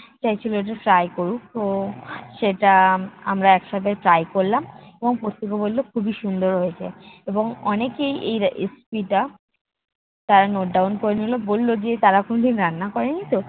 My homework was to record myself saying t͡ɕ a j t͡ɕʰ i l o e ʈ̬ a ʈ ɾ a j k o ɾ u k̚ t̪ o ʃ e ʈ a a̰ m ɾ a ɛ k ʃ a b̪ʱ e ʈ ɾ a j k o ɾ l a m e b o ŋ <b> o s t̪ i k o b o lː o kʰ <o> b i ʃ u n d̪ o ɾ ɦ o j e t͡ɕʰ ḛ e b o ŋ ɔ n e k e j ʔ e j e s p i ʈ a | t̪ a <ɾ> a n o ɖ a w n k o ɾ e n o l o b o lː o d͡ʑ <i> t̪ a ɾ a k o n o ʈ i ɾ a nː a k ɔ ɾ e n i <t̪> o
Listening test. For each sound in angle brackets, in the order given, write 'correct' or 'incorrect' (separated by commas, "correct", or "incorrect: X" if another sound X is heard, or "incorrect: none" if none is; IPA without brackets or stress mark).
incorrect: p, incorrect: u, correct, incorrect: e, correct